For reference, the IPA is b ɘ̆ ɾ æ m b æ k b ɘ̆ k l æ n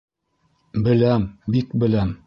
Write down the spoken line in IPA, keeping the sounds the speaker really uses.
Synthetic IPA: b ɘ̆ l æ m b i k b ɘ̆ l æ m

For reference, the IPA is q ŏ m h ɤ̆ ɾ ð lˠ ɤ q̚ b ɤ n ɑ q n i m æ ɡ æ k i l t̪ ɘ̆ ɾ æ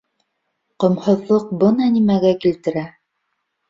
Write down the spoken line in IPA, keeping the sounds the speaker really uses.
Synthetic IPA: q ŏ m h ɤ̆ ð lˠ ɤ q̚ b ɤ n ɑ n i m æ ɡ æ k i l t̪ ɘ̆ ɾ æ

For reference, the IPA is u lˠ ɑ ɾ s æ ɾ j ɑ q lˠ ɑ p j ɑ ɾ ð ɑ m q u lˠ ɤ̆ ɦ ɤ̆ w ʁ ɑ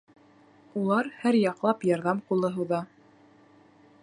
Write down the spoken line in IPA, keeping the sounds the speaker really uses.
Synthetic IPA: u lˠ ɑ ɾ h æ ɾ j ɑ q lˠ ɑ p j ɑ ɾ ð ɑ m q u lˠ ɤ̆ ɦ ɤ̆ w ð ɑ

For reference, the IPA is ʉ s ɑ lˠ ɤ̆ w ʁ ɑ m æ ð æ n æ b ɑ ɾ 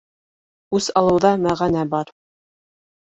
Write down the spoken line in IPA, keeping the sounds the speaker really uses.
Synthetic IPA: ʉ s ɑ lˠ ɤ̆ w ð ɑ m æ ʁ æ n æ b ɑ ɾ

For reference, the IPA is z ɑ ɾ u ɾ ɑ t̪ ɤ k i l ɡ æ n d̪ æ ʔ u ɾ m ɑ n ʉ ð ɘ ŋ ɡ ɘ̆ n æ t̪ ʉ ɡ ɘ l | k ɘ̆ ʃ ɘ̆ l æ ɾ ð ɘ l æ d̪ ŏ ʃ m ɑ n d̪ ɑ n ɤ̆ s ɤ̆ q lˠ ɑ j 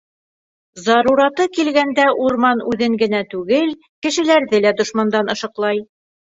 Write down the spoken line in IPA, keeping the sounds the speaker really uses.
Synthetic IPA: z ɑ ɾ u ɾ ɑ t̪ ɤ k i l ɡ æ n d̪ æ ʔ u ɾ m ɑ n ʉ ð ɘ ŋ ɡ ɘ̆ n æ t̪ ʉ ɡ ɘ l | k ɘ̆ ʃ ɘ̆ l æ ɾ ð ɘ l æ d̪ ŏ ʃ m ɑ n d̪ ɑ n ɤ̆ ʃ ɤ̆ q lˠ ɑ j

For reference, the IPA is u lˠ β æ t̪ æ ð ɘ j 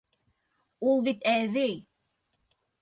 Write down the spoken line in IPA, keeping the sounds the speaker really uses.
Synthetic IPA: u lˠ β i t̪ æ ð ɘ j

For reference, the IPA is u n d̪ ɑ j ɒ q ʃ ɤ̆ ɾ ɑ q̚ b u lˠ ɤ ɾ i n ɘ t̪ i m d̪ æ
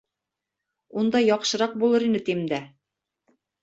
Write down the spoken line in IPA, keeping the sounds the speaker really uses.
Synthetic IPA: u n d̪ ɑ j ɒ q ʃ ɤ̆ ɾ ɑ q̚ b u lˠ ɤ ɾ i n ɘ t̪ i m d̪ æ

